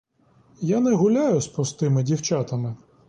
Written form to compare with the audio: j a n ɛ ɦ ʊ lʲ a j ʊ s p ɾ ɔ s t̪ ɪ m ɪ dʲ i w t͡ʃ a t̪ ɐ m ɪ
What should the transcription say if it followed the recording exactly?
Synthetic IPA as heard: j a n ɛ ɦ ʊ lʲ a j ʊ s p ɾ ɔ s t̪ ɪ m ɪ dʲ i w t͡ʃ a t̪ ɐ m ɪ